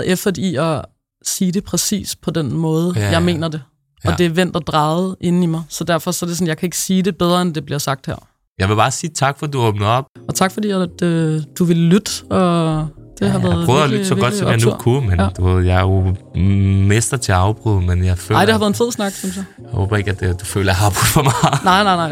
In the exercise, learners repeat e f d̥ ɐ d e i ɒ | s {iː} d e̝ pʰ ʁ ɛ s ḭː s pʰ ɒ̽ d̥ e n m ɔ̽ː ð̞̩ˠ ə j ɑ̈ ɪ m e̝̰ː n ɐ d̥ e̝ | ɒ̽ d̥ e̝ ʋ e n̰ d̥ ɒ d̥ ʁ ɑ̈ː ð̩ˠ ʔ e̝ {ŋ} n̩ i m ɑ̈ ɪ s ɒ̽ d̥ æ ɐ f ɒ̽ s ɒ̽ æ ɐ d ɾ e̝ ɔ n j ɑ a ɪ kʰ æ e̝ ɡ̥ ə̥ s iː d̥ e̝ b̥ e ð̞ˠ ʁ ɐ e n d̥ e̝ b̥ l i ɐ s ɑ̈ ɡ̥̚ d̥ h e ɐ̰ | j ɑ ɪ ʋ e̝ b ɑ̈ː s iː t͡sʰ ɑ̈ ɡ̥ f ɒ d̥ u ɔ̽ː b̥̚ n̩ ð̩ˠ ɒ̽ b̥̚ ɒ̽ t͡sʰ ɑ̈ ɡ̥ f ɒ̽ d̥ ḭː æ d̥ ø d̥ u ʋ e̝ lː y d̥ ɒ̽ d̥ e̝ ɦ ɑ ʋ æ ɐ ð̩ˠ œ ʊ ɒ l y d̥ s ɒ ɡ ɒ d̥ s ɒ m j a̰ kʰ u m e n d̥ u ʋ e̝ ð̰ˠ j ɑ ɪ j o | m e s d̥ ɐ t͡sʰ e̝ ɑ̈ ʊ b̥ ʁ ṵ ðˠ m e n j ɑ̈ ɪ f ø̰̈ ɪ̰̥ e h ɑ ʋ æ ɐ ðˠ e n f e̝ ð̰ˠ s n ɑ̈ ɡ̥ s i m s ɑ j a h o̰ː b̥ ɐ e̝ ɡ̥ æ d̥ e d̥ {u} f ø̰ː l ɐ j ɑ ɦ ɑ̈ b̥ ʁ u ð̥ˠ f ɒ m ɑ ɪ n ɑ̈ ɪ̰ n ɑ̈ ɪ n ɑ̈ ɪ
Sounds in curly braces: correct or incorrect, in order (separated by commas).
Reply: correct, incorrect, correct